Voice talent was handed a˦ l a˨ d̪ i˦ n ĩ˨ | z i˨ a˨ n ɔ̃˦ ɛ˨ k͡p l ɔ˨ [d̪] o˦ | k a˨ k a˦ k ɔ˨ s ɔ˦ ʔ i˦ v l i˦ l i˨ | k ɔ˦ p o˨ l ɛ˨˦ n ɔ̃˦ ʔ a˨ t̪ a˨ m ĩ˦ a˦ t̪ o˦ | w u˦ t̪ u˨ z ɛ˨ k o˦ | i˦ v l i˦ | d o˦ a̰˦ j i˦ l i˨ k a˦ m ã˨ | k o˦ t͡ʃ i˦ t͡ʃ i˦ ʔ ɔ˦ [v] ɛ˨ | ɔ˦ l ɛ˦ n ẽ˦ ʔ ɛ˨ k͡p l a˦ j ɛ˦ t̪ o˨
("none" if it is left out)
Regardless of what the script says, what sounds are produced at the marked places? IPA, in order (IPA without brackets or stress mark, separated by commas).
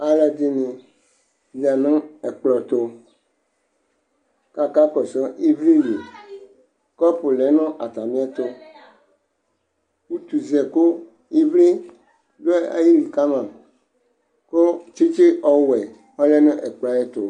t̪, w